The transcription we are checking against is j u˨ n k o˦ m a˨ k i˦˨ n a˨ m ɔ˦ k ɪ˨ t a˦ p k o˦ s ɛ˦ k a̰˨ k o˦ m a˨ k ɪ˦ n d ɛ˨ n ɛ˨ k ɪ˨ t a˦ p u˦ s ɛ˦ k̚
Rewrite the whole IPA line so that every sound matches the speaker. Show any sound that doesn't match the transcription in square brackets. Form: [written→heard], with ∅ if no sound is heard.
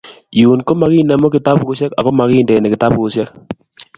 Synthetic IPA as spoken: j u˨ n k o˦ m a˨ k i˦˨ n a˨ m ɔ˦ k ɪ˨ t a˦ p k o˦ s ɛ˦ k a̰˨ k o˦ m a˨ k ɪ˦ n d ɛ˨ n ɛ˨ k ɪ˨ t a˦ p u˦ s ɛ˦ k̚